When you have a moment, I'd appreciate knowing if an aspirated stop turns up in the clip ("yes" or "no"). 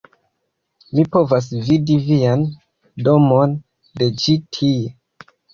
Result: yes